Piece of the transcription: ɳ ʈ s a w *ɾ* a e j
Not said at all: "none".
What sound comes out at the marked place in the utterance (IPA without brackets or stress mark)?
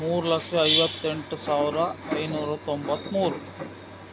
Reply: ɾ